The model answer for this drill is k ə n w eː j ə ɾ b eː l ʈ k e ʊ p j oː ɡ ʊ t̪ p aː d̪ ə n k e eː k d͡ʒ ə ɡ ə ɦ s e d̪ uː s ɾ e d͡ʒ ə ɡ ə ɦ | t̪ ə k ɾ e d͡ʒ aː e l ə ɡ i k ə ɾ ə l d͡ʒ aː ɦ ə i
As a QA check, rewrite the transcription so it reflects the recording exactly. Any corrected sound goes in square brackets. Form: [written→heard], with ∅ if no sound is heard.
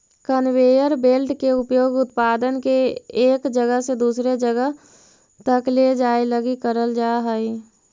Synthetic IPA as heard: k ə n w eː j ə ɾ b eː l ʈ k e ʊ p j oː ɡ ʊ t̪ p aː d̪ ə n k e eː k d͡ʒ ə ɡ ə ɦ s e d̪ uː s ɾ e d͡ʒ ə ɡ ə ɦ | t̪ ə k [ɾ→l] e d͡ʒ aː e l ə ɡ i k ə ɾ ə l d͡ʒ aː ɦ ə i